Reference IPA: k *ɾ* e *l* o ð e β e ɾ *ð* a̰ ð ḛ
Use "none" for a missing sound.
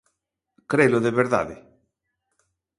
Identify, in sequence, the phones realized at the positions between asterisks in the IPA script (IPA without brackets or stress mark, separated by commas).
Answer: ɾ, l, ð